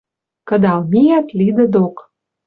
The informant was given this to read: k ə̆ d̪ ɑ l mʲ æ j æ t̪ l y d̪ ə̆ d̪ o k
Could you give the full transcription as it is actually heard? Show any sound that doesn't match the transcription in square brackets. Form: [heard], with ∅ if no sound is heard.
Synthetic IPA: k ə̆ d̪ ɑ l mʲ [i] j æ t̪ l [i] d̪ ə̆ d̪ o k